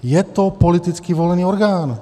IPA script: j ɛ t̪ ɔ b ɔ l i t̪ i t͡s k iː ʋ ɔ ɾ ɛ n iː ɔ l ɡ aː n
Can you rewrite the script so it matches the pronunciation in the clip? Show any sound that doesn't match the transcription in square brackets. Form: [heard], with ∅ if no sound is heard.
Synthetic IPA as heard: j ɛ t̪ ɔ [p] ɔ l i t̪ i t͡s k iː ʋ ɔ [l] ɛ n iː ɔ [ɾ] ɡ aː n